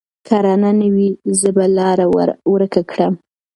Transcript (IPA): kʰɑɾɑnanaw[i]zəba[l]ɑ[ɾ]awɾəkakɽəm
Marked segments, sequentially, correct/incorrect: correct, correct, correct

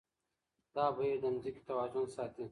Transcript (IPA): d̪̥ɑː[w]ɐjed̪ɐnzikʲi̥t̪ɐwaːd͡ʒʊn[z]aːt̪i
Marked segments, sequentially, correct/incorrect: incorrect, incorrect

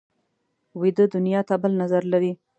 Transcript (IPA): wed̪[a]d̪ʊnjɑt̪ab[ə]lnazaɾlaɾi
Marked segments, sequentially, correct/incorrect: incorrect, correct

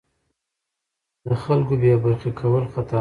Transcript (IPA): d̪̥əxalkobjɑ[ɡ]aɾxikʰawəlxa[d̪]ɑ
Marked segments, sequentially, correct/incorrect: incorrect, incorrect

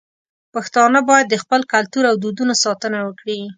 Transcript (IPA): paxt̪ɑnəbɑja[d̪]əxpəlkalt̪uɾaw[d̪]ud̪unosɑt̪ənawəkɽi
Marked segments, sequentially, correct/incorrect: incorrect, correct

